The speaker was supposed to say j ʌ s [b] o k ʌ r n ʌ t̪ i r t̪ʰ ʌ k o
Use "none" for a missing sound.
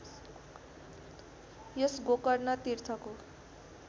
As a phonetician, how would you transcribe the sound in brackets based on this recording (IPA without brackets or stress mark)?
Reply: ɡ